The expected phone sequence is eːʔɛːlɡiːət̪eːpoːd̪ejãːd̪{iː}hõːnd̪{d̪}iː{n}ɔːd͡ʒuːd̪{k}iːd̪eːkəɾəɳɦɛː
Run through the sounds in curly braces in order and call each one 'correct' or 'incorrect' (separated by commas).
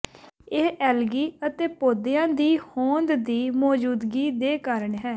correct, correct, incorrect, incorrect